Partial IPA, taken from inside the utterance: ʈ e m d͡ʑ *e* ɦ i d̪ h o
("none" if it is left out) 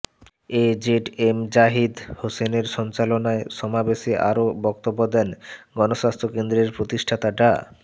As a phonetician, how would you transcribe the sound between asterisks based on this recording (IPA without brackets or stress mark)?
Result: a